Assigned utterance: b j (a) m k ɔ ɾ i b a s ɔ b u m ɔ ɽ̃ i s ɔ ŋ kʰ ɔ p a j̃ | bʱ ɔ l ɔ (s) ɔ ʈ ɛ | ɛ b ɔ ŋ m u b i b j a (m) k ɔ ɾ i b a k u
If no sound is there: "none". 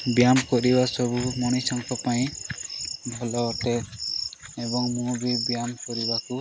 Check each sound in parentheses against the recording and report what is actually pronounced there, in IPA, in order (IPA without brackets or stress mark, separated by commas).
a, none, m